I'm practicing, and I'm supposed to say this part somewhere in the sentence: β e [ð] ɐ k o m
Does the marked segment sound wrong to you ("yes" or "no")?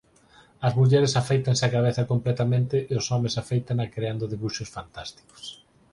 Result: yes